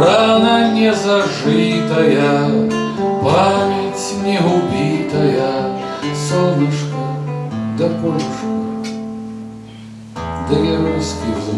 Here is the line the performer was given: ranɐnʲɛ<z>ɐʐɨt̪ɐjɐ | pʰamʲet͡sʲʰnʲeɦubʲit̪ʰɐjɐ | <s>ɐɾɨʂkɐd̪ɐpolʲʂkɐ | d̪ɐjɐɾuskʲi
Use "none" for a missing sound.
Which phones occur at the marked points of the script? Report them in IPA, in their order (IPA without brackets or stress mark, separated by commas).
z, s